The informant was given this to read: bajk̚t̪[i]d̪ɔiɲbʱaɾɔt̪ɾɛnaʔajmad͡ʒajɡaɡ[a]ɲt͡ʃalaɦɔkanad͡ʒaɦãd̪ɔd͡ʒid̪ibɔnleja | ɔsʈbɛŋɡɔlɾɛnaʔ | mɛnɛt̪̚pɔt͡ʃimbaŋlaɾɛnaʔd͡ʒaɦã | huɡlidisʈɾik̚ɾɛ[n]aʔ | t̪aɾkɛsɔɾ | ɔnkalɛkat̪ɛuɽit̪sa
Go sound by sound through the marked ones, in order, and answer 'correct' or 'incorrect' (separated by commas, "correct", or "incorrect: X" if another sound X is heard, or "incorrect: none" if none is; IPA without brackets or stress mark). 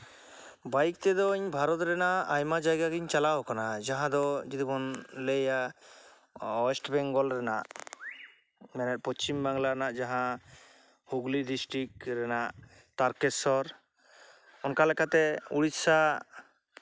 incorrect: ɛ, incorrect: i, correct